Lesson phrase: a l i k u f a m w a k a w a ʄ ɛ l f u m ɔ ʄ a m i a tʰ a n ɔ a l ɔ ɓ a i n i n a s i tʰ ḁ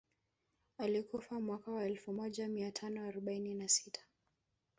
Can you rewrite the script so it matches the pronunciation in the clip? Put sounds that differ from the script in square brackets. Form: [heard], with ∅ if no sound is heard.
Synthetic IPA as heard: a l i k u f a m w a k a w a [∅] ɛ l f u m ɔ ʄ a m i a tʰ a n ɔ a [ɾ] ɔ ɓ a i n i n a s i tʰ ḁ